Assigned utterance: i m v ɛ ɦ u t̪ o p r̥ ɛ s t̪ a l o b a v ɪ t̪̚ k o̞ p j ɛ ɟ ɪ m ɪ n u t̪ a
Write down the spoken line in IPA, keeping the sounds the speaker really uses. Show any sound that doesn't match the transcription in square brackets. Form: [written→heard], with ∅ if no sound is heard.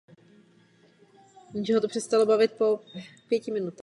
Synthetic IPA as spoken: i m [v→ʒ] ɛ ɦ [u→o] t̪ o p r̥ ɛ s t̪ a l o b a v ɪ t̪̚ [k→p] o̞ p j ɛ [ɟ→c] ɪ m ɪ n u t̪ a